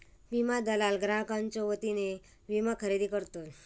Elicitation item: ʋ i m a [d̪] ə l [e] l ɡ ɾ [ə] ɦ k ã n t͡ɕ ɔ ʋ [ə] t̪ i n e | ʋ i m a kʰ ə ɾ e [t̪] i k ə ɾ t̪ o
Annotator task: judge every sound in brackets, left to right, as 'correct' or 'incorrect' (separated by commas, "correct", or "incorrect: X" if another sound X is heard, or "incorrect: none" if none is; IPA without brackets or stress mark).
correct, incorrect: a, incorrect: a, correct, incorrect: d̪